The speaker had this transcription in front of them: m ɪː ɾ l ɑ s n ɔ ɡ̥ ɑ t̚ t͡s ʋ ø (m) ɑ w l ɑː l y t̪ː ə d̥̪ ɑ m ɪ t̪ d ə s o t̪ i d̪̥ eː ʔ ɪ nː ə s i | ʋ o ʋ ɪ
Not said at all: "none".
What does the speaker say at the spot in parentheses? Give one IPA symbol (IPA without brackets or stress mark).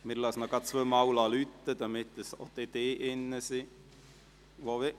m